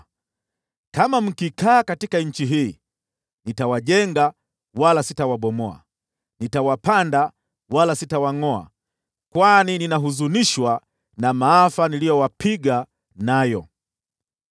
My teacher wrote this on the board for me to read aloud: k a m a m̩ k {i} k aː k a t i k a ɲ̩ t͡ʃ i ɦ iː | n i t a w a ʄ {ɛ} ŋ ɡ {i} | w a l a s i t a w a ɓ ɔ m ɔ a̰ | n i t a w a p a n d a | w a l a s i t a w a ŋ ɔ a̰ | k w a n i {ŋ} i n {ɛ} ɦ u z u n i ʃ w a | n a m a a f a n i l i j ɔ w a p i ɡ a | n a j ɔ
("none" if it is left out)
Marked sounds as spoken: i, ɛ, a, n, a

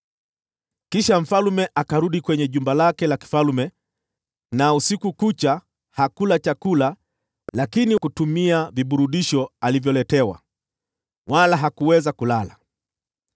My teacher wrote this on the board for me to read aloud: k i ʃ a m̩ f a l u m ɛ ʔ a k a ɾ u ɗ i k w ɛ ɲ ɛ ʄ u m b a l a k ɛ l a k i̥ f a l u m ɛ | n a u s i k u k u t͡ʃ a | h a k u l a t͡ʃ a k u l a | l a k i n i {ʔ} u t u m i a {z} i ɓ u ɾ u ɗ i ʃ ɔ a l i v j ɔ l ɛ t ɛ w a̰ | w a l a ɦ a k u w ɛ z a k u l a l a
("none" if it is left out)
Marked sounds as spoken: k, v

